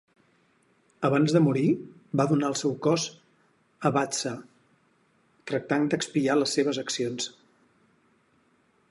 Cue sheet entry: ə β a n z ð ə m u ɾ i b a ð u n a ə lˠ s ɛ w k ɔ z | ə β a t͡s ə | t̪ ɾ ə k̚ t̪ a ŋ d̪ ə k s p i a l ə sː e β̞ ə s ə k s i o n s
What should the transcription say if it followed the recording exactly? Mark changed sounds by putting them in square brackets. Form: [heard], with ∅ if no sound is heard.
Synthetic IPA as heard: ə β a n z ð ə m u ɾ i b a ð u n a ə lˠ s ɛ w k ɔ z | ə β a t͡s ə | t̪ ɾ ə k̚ t̪ a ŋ d̪ ə k s p i a l ə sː e β̞ ə [z] ə k s i o n s